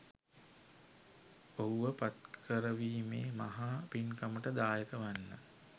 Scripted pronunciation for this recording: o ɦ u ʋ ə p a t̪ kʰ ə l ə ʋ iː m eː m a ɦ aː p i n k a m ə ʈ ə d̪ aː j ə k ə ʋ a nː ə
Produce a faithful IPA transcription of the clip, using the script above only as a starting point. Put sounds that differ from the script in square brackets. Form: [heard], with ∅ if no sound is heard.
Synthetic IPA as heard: o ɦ u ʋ ə p a t̪ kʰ ə [ɾ] ə ʋ iː m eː m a ɦ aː p i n k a m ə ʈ ə d̪ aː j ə k ə ʋ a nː ə